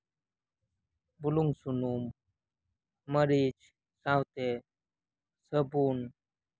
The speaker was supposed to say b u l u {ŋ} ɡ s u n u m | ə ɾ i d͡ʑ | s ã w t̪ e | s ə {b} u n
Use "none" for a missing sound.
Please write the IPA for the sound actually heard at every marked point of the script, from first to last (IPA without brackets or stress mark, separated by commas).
ŋ, b